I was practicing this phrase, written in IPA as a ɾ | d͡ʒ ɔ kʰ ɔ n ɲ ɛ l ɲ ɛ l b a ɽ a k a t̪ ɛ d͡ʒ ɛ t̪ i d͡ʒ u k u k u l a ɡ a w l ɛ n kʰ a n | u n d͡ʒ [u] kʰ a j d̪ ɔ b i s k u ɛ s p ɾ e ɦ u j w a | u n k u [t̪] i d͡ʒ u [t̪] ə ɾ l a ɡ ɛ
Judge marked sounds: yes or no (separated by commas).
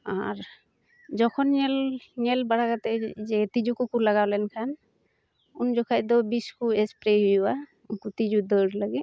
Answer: no, yes, no